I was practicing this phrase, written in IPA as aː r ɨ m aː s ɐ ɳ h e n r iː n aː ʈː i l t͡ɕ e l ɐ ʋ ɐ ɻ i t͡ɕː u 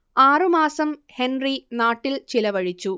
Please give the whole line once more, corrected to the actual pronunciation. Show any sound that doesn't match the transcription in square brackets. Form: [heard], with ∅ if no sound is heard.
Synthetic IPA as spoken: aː r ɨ m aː s ɐ [m] h e n r [i] n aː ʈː i l t͡ɕ [i] l ɐ ʋ ɐ ɻ i t͡ɕː u

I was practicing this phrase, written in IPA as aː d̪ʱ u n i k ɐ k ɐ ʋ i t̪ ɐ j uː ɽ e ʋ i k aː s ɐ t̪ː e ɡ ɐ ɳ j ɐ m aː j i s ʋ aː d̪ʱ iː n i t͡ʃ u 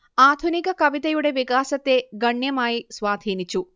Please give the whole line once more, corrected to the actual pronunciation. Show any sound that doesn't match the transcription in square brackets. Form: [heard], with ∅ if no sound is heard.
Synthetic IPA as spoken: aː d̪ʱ u n i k ɐ k ɐ ʋ i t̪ ɐ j [u] ɽ e ʋ i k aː s ɐ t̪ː e ɡ ɐ ɳ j ɐ m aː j i s ʋ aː d̪ʱ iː n i t͡ʃ u

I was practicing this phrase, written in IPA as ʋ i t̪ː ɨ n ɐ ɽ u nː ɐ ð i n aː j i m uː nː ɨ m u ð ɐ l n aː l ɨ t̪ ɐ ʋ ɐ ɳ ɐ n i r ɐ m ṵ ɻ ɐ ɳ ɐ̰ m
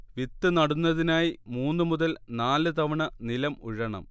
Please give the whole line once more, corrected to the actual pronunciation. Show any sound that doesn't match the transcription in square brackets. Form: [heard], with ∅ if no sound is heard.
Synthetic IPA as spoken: ʋ i t̪ː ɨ n ɐ ɽ u nː ɐ ð i n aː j i m uː nː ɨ m u ð ɐ l n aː l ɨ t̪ ɐ ʋ ɐ ɳ ɐ n i [l] ɐ m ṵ ɻ ɐ ɳ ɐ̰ m

